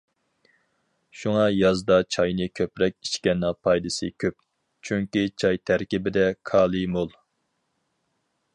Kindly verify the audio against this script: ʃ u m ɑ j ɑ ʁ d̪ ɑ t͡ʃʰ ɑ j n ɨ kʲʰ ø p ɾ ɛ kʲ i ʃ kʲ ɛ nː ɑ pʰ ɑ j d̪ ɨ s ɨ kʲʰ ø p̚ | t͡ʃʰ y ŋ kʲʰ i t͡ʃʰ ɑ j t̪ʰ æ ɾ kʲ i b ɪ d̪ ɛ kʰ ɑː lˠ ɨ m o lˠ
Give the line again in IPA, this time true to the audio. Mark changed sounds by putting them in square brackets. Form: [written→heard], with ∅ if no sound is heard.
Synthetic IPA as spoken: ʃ u [m→ŋ] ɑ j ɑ [ʁ→z] d̪ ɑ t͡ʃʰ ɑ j n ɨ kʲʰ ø p ɾ ɛ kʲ i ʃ kʲ ɛ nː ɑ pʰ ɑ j d̪ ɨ s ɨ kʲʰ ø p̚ | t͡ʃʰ y ŋ [kʲʰ→kʲ] i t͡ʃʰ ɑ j t̪ʰ æ ɾ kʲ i b ɪ d̪ ɛ kʰ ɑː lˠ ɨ m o lˠ